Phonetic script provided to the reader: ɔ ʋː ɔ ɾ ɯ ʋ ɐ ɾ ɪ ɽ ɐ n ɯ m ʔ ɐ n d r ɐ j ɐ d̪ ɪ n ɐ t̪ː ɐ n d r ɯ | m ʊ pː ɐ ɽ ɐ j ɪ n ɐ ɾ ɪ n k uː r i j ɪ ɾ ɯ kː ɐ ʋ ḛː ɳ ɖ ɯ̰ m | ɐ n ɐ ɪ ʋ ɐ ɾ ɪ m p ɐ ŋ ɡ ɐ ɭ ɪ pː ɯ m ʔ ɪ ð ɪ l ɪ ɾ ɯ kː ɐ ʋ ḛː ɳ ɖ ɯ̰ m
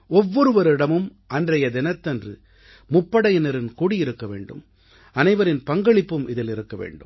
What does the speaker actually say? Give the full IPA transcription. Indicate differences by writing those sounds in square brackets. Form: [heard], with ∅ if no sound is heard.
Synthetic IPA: ɔ ʋː ɔ ɾ ɯ ʋ ɐ ɾ ɪ ɽ ɐ [m] ɯ m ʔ ɐ n d r ɐ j ɐ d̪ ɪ n ɐ t̪ː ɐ n d r ɯ | m ʊ pː ɐ ɽ ɐ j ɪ n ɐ ɾ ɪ n k uː [ɽ] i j ɪ ɾ ɯ kː ɐ ʋ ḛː ɳ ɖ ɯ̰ m | ɐ n ɐ ɪ ʋ ɐ ɾ ɪ [n] p ɐ ŋ ɡ ɐ ɭ ɪ pː ɯ m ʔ ɪ ð ɪ l ɪ ɾ ɯ kː ɐ ʋ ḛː ɳ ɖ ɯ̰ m

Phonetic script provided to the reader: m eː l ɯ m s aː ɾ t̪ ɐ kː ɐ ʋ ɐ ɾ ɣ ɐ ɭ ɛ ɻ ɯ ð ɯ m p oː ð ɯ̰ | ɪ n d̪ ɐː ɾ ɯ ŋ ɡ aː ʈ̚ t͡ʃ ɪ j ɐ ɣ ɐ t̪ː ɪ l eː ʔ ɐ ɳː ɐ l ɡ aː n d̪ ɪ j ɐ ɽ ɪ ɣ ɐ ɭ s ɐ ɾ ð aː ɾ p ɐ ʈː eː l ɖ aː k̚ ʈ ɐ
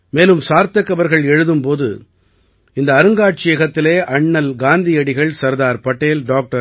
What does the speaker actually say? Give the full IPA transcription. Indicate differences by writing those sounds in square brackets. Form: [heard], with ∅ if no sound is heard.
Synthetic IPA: m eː l ɯ m s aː ɾ t̪ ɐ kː ɐ ʋ ɐ ɾ ɣ ɐ ɭ ɛ ɻ ɯ ð ɯ m p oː ð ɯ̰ | ɪ n d̪ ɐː ɾ ɯ ŋ ɡ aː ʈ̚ t͡ʃ ɪ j ɐ ɣ ɐ t̪ː ɪ l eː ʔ ɐ ɳː ɐ l ɡ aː n d̪ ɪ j ɐ ɽ ɪ ɣ ɐ ɭ s ɐ ɾ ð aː ɾ p ɐ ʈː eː l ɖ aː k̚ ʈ ɐ

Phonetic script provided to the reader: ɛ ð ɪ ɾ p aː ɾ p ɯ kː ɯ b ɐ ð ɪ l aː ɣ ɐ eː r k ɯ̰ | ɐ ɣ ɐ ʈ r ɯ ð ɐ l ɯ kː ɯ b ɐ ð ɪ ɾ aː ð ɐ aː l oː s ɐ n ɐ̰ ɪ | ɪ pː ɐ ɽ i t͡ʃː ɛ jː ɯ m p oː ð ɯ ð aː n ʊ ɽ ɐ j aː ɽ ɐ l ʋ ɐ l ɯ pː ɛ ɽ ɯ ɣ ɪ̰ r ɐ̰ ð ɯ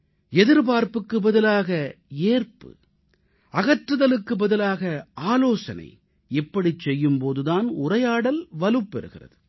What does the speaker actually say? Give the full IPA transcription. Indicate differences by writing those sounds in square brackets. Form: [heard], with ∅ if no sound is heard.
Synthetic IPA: ɛ ð ɪ ɾ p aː ɾ p ɯ kː ɯ b ɐ ð ɪ l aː ɣ ɐ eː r [p] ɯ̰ | ɐ ɣ ɐ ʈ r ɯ ð ɐ l ɯ kː ɯ b ɐ ð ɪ [l] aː [ɣ] ɐ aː l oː s ɐ n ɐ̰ ɪ | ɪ pː ɐ ɽ i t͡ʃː ɛ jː ɯ m p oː ð ɯ ð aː n ʊ [r] ɐ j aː ɽ ɐ l ʋ ɐ l ɯ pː ɛ [ɾ] ɯ ɣ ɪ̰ r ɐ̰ ð ɯ

